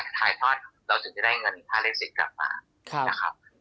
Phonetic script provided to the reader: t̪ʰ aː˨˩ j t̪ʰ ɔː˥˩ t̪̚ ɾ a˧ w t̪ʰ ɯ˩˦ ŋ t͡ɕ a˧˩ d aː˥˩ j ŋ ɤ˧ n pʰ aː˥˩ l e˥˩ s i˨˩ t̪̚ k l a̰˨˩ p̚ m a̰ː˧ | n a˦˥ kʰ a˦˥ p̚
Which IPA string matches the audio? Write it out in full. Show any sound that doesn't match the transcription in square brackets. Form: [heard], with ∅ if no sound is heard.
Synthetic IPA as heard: t̪ʰ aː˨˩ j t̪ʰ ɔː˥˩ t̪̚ ɾ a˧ w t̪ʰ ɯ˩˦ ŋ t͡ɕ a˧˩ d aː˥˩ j ŋ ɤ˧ n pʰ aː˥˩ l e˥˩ s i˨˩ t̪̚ k l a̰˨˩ p̚ m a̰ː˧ | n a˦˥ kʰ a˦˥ p̚

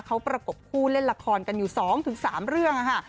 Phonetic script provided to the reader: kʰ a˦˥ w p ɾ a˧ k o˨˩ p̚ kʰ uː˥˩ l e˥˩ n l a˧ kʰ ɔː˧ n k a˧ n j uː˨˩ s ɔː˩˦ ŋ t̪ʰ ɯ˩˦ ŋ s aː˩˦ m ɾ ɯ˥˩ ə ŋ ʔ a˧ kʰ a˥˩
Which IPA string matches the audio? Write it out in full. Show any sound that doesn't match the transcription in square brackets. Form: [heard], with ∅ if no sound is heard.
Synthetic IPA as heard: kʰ a˦˥ w p ɾ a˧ k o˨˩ p̚ kʰ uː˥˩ l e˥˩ n l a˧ kʰ ɔː˧ n k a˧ n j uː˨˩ s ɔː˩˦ ŋ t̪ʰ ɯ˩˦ ŋ s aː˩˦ m ɾ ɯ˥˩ ə ŋ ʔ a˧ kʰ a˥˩

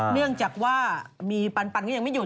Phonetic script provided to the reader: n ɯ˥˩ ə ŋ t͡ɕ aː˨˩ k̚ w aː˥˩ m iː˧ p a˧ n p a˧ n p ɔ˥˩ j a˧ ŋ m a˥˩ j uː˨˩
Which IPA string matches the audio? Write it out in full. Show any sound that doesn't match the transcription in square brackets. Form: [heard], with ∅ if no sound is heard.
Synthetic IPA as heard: n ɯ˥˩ ə ŋ t͡ɕ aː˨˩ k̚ w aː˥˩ m iː˧ p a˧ n p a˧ n [k] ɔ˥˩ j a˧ ŋ m a˥˩ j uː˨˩

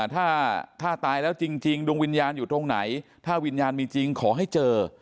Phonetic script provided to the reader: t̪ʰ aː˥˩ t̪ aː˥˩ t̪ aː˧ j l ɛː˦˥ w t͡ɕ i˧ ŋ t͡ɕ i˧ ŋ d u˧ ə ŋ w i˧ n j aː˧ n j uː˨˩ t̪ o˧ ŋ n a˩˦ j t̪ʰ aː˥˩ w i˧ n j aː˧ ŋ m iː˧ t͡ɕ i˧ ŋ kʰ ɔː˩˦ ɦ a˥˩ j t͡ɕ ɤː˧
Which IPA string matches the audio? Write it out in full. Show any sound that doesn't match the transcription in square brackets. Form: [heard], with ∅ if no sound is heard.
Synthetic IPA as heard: t̪ʰ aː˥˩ [t̪ʰ] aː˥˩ t̪ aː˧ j l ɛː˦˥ w t͡ɕ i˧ ŋ t͡ɕ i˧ ŋ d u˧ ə ŋ w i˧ n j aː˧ n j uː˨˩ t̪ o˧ ŋ n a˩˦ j t̪ʰ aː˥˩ w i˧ n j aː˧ [n] m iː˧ t͡ɕ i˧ ŋ kʰ ɔː˩˦ ɦ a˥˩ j t͡ɕ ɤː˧

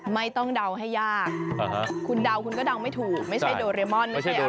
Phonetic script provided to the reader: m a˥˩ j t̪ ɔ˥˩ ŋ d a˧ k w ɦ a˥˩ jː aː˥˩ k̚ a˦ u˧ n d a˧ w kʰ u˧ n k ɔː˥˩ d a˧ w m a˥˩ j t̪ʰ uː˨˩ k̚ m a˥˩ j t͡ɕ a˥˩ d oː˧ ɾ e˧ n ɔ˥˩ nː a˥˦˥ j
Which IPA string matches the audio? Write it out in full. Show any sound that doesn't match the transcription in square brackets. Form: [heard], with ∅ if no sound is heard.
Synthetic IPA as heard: m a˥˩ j t̪ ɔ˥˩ ŋ d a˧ [∅] w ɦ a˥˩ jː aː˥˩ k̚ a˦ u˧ n d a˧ w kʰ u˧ n k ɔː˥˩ d a˧ w m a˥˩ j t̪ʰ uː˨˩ k̚ m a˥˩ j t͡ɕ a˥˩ d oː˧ ɾ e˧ [m] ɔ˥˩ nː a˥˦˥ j

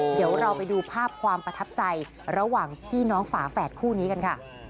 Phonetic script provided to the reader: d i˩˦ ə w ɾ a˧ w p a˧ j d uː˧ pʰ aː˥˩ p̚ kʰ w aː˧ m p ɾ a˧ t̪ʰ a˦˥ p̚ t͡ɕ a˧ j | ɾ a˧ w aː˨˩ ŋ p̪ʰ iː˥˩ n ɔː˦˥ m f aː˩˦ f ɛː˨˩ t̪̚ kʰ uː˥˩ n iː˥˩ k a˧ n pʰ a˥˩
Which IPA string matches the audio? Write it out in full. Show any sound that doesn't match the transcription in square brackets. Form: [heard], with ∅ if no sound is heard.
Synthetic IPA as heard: d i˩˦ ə w ɾ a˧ w p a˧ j d uː˧ pʰ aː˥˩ p̚ kʰ w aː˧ m p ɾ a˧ t̪ʰ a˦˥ p̚ t͡ɕ a˧ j | ɾ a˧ w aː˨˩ ŋ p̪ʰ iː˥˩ n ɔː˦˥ [ŋ] f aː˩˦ f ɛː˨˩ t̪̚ kʰ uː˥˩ n [iː˦˥] k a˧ n [kʰ] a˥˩

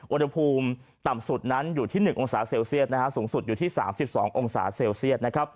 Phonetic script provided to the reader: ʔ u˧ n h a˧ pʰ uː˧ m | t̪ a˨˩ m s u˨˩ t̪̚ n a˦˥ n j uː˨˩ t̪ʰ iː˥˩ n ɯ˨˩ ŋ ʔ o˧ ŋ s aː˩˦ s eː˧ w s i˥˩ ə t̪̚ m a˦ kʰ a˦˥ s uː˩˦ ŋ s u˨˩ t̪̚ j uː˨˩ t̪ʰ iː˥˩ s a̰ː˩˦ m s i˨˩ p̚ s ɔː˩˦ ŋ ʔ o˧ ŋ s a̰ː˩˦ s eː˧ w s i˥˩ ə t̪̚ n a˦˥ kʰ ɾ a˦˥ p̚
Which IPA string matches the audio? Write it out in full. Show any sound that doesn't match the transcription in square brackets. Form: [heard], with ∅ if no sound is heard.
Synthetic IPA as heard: ʔ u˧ n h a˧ pʰ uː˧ m | t̪ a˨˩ m s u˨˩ t̪̚ n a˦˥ n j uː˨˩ t̪ʰ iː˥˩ n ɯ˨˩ ŋ ʔ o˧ ŋ s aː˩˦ s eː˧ w s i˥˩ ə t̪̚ [n] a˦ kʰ a˦˥ s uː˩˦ ŋ s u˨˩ t̪̚ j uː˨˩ t̪ʰ iː˥˩ s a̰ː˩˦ m s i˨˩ p̚ s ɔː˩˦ ŋ ʔ o˧ ŋ s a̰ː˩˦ s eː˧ w s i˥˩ ə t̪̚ n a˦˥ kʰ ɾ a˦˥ p̚

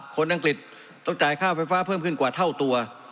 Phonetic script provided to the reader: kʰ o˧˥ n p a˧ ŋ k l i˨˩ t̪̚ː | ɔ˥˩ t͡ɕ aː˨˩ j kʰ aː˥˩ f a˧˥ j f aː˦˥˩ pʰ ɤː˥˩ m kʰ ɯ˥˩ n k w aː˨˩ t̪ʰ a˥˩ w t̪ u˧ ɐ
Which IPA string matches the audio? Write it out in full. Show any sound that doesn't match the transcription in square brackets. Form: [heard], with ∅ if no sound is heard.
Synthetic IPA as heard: kʰ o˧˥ n [ʔ] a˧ ŋ k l i˨˩ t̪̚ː | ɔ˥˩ t͡ɕ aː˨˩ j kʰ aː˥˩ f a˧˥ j f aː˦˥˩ pʰ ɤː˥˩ m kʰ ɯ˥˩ n k w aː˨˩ t̪ʰ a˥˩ w t̪ u˧ ɐ

